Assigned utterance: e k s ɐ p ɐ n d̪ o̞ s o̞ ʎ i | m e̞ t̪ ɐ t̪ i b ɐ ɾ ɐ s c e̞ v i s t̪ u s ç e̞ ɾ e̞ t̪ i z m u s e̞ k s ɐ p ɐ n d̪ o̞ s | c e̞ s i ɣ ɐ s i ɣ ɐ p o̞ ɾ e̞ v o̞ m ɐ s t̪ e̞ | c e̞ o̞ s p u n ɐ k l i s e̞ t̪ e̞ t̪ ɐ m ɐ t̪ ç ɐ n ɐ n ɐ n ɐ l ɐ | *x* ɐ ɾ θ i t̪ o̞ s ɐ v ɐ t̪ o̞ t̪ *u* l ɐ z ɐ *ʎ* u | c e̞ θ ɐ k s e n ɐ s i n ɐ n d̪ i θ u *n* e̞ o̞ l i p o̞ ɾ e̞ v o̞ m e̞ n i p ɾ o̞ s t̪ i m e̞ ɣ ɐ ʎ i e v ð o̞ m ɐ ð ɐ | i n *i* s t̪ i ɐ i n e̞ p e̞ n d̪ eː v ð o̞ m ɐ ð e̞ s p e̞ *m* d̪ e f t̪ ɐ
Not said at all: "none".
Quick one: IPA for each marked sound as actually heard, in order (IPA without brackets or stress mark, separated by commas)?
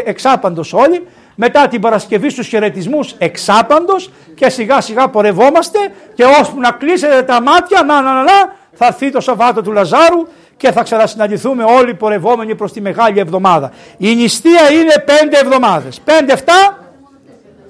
θ, u, ɾ, m, i, n